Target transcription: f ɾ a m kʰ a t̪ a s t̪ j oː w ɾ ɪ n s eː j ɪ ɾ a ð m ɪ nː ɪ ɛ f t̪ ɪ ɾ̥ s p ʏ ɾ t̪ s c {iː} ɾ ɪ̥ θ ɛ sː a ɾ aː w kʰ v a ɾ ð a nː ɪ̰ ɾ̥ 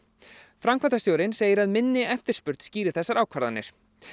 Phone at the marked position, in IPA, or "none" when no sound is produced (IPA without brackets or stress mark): iː